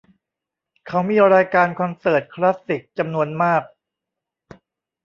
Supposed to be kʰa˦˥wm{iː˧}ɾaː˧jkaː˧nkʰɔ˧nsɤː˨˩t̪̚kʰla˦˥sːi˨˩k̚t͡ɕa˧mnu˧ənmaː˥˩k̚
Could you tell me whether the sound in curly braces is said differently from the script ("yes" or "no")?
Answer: no